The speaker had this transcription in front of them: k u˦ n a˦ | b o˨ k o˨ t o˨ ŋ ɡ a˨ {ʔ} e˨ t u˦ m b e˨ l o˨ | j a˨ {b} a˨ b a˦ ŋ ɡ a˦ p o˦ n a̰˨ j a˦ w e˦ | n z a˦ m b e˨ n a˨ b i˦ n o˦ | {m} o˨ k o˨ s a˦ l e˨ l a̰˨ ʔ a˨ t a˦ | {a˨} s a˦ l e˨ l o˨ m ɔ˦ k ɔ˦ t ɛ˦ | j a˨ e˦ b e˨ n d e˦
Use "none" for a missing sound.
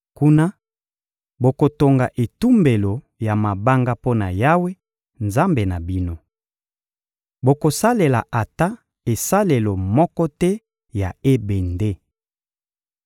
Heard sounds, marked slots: ʔ, m, b, e˨

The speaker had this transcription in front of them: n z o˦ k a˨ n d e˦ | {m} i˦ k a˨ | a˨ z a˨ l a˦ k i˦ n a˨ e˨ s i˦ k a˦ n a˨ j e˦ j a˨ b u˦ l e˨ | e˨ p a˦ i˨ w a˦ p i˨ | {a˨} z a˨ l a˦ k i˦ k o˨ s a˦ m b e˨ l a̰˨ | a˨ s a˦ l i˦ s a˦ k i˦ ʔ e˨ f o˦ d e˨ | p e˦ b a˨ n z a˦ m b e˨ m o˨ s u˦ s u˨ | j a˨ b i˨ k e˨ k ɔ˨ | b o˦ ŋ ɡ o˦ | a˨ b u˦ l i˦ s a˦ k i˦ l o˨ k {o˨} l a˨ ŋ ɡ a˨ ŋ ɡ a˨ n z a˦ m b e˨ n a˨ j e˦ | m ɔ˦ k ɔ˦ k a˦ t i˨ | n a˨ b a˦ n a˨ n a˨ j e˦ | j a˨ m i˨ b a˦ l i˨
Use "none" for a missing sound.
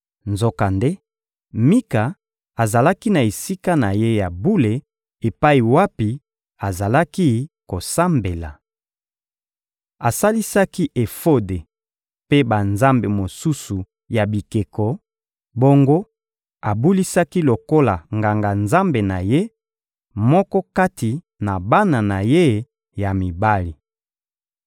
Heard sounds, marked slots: m, a˨, o˦

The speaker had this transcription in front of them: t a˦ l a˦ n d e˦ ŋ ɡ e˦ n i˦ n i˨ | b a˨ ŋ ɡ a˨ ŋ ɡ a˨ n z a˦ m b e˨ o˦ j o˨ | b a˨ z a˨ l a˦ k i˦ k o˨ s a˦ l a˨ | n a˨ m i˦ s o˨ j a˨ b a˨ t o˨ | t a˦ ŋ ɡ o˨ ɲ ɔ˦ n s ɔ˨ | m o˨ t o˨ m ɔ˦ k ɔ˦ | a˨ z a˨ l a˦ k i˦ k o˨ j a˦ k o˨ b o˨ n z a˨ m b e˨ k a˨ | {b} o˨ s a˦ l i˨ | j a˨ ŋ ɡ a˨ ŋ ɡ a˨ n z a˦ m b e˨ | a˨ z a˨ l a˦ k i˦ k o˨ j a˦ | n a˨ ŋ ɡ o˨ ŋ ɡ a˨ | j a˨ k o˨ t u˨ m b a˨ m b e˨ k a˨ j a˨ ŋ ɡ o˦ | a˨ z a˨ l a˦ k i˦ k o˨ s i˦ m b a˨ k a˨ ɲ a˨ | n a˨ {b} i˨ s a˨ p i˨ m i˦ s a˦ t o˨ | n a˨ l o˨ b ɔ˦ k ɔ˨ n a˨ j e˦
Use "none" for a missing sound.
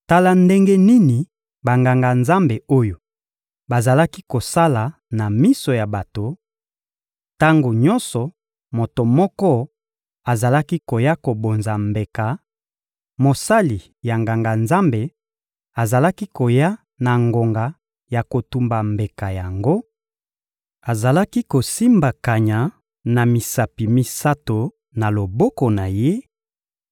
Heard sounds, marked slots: m, m

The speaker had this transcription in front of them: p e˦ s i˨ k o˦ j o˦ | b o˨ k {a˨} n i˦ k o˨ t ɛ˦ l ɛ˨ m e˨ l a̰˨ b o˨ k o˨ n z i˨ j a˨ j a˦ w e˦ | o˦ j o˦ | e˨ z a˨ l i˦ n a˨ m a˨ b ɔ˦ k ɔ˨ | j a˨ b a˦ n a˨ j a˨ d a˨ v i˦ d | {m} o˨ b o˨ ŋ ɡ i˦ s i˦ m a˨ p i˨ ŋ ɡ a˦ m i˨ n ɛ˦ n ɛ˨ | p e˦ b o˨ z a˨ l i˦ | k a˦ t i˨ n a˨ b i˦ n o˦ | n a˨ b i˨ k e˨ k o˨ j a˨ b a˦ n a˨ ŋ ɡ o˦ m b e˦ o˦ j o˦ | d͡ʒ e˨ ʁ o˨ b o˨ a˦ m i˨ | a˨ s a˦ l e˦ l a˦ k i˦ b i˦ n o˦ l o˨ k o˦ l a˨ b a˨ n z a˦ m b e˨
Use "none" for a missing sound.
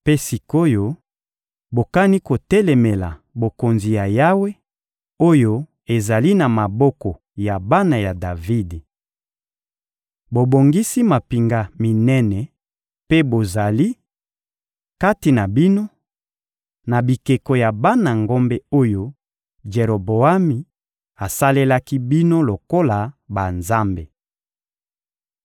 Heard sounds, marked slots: a˦, b

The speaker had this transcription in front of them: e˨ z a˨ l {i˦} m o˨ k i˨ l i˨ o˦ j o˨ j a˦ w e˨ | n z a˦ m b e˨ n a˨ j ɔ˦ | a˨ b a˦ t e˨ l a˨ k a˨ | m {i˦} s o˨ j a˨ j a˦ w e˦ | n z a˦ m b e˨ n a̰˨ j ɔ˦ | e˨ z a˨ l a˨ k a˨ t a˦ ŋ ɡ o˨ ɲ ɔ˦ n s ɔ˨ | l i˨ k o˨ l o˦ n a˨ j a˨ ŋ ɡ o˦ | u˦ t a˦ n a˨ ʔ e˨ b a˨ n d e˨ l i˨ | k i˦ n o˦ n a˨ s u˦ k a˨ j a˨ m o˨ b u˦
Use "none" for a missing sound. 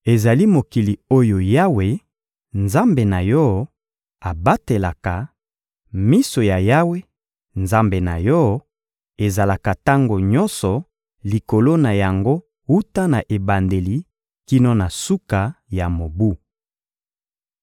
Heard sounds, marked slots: i˦, i˦

